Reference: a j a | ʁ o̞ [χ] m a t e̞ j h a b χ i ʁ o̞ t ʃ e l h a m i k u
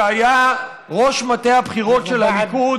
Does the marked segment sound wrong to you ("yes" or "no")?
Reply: yes